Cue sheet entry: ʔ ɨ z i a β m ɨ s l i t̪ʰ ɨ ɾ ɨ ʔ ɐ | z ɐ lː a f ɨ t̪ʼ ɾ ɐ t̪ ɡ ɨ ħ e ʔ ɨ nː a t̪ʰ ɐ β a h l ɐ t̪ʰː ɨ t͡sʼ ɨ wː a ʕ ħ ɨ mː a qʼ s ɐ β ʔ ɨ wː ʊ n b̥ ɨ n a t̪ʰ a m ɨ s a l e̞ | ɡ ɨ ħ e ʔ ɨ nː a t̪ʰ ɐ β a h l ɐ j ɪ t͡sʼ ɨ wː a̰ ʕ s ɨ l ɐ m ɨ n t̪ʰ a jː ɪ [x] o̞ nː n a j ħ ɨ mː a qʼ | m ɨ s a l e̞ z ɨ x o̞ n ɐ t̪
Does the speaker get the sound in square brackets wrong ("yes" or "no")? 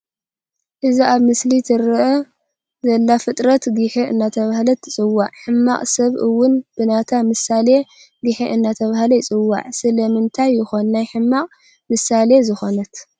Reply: no